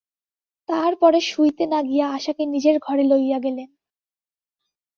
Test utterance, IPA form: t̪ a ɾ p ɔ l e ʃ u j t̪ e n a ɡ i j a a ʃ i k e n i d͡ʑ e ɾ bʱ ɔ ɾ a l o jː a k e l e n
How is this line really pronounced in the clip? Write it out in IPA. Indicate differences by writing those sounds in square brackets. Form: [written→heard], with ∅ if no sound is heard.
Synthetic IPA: t̪ a ɾ p ɔ [l→ɾ] e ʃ u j t̪ e n a ɡ i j a a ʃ [i→a] k e n i d͡ʑ e ɾ [bʱ→ɡʱ] ɔ ɾ [a→e] l o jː a [k→ɡ] e l e n